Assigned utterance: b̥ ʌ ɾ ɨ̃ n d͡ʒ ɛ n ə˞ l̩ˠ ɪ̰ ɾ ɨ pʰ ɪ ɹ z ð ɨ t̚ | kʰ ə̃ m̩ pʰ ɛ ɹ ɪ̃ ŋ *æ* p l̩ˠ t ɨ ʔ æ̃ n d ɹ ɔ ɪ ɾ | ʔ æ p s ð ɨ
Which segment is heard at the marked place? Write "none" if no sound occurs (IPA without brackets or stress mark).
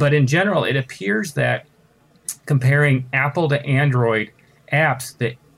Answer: æ